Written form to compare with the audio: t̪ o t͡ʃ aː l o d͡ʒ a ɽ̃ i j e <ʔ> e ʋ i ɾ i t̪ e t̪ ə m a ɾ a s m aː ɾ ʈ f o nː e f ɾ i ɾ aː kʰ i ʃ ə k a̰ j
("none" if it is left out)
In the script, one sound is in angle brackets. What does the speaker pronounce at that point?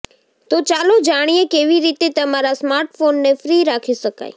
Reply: k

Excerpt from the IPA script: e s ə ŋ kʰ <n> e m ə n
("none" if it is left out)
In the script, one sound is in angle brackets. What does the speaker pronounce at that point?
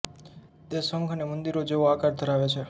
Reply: n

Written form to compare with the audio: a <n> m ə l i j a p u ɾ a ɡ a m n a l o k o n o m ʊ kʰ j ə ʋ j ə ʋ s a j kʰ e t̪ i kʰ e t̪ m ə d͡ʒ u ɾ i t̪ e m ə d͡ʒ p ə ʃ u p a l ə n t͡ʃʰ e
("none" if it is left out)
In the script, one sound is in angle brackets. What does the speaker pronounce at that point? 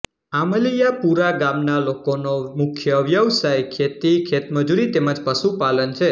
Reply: none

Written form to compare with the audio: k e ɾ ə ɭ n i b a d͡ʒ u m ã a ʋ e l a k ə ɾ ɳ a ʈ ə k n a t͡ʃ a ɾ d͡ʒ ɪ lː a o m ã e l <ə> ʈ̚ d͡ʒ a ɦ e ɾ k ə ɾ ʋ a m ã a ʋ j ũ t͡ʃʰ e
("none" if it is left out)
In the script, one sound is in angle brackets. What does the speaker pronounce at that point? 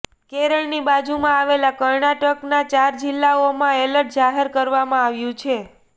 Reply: ə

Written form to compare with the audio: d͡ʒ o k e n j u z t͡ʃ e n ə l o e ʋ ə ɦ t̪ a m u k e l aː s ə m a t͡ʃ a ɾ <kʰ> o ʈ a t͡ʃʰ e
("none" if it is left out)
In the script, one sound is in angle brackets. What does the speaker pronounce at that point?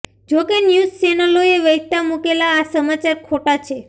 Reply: kʰ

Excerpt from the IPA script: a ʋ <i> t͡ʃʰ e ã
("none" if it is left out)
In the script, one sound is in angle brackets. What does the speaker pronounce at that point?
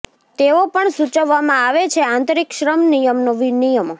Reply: e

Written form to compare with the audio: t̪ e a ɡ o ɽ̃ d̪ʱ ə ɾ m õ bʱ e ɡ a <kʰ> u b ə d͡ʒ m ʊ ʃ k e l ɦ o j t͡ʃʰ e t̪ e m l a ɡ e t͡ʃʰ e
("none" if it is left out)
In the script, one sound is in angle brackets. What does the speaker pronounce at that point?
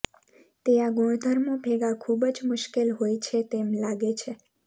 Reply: kʰ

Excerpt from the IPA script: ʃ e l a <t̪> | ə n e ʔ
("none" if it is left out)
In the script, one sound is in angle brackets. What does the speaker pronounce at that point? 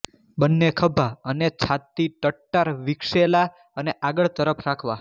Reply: none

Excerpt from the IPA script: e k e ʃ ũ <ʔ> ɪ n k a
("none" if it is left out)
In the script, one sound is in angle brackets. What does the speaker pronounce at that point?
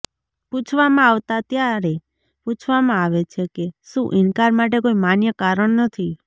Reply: ʔ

